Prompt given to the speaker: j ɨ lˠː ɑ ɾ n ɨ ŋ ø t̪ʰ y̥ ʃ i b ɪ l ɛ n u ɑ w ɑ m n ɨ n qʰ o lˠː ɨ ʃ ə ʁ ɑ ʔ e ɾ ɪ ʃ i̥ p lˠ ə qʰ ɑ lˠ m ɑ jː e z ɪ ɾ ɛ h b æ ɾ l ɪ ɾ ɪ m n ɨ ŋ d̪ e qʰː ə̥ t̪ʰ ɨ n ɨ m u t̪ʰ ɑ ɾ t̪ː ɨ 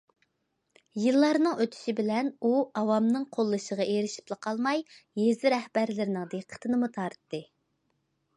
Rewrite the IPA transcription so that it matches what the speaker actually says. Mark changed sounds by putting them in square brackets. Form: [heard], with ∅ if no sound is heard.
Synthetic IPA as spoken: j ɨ lˠː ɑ ɾ n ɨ ŋ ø t̪ʰ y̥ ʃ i b ɪ l ɛ n u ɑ w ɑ m n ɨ [ŋ] qʰ o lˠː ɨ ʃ ə ʁ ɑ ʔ e ɾ ɪ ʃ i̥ p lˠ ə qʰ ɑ lˠ m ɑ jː e z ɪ ɾ ɛ h b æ ɾ l ɪ ɾ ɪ [∅] n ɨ ŋ d̪ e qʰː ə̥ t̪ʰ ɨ n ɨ m u t̪ʰ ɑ ɾ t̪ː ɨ